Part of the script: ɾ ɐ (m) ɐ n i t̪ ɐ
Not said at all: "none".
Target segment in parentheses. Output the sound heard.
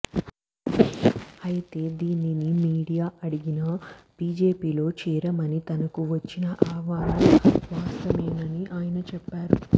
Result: m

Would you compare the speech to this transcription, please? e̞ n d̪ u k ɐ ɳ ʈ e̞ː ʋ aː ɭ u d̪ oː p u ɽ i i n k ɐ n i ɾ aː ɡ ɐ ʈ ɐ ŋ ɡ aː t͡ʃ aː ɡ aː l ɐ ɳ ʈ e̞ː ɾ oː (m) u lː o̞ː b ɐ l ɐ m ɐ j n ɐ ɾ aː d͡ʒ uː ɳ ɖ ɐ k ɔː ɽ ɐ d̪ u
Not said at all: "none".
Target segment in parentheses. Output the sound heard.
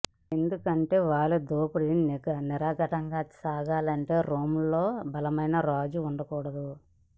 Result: m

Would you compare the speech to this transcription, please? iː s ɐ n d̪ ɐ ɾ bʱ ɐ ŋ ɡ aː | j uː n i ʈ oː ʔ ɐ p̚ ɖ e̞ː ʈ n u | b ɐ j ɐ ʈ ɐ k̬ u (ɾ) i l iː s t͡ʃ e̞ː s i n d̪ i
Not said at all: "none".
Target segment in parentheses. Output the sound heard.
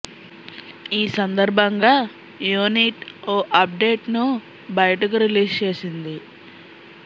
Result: ɾ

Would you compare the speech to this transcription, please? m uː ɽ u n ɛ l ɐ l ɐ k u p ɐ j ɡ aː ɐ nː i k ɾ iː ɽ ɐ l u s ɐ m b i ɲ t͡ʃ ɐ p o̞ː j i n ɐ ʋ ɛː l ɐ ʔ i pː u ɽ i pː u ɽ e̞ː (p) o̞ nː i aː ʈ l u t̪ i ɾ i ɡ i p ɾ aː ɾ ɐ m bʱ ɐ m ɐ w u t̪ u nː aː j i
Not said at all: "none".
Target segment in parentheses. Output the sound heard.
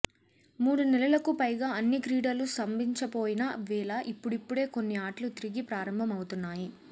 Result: k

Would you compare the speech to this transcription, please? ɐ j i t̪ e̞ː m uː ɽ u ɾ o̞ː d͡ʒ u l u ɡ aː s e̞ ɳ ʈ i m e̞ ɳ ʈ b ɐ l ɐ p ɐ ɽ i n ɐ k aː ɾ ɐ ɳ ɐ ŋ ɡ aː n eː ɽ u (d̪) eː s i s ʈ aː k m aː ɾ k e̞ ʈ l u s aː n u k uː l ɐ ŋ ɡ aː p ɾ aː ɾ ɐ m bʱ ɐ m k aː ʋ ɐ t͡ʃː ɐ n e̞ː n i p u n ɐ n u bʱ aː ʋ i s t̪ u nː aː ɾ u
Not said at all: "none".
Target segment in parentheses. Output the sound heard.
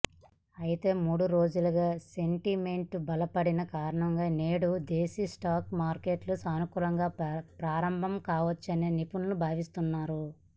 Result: d̪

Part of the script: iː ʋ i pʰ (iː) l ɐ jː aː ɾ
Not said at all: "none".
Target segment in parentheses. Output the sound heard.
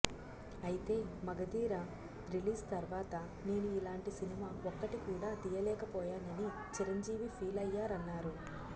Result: iː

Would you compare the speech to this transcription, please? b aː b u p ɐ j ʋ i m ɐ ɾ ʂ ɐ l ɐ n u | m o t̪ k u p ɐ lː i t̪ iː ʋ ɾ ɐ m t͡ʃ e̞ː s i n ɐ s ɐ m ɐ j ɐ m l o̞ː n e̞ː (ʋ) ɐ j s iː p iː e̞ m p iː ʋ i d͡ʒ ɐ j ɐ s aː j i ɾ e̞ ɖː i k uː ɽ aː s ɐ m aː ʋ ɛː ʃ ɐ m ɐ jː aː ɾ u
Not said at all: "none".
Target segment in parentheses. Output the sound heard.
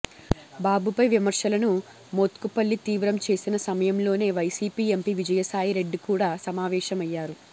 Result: ʋ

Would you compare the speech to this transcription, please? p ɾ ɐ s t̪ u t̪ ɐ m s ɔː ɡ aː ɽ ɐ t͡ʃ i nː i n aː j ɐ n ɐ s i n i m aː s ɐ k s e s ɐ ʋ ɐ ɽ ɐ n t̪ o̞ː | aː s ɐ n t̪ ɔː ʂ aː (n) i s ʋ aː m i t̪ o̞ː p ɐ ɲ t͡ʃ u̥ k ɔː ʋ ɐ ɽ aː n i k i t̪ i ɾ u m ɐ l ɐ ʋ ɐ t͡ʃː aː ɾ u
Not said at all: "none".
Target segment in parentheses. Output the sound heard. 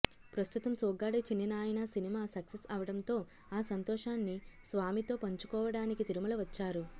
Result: nː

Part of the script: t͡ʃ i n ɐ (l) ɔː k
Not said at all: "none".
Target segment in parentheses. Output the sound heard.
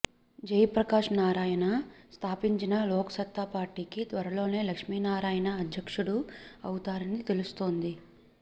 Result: l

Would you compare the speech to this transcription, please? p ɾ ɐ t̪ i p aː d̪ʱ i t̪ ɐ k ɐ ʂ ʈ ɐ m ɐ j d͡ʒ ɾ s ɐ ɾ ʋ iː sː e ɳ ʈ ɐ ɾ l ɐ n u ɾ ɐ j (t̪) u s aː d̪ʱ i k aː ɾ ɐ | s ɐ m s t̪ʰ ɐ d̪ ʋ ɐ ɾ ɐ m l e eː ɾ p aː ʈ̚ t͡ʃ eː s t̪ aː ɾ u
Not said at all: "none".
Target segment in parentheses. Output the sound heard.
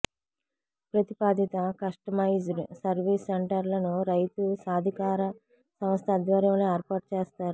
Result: t̪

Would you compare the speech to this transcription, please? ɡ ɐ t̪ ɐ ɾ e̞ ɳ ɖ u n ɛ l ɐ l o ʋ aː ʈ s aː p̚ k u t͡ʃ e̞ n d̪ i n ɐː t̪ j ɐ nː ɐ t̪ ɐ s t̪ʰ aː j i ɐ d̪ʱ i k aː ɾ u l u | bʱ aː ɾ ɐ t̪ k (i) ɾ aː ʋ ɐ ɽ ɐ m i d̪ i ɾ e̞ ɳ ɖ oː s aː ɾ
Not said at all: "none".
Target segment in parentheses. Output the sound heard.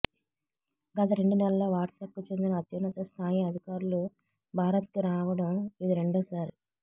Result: i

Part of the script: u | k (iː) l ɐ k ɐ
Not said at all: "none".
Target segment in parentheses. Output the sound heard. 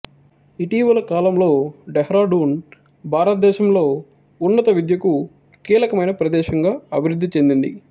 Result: iː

